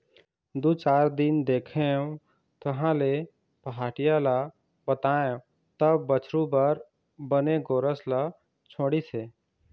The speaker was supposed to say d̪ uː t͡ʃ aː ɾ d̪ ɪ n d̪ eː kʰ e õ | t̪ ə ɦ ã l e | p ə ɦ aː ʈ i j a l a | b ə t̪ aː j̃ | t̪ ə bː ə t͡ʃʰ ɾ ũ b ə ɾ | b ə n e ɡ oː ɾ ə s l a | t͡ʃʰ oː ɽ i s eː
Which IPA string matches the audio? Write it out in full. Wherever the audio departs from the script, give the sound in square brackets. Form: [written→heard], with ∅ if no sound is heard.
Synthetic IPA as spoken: d̪ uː t͡ʃ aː ɾ d̪ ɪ n d̪ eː kʰ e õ | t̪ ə ɦ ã l e | p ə ɦ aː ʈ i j a l a | b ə t̪ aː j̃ | t̪ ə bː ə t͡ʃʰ ɾ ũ b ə ɾ | b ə n e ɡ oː ɾ ə s l a | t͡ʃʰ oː ɽ i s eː